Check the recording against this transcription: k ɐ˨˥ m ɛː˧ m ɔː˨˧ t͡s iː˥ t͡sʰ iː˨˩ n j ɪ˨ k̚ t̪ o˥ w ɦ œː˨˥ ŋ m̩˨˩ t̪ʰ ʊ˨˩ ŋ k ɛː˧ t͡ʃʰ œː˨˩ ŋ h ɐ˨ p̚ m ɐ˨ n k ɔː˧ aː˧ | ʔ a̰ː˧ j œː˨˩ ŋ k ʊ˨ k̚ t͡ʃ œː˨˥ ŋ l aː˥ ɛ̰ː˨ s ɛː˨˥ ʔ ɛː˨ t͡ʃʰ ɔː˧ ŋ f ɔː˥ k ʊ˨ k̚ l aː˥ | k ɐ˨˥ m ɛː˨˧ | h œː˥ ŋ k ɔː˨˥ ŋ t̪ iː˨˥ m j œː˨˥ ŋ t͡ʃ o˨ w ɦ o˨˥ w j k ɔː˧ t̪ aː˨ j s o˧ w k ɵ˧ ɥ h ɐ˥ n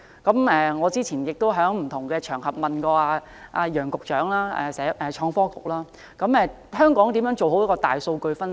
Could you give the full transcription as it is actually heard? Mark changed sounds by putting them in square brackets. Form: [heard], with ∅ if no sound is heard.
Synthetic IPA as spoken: k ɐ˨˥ m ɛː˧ [ŋ] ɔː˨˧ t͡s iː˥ t͡sʰ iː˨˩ n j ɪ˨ k̚ t̪ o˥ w ɦ œː˨˥ ŋ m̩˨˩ t̪ʰ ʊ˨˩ ŋ k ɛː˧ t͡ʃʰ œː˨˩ ŋ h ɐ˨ p̚ m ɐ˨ n k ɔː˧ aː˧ | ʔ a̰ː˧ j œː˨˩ ŋ k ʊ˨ k̚ t͡ʃ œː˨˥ ŋ l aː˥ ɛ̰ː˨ s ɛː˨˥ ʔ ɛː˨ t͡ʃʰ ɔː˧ ŋ f ɔː˥ k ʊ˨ k̚ l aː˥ | k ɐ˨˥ m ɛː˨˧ | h œː˥ ŋ k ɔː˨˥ ŋ t̪ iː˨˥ m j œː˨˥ ŋ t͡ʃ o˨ w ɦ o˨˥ w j k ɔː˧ t̪ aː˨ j s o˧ w k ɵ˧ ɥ [f] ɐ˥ n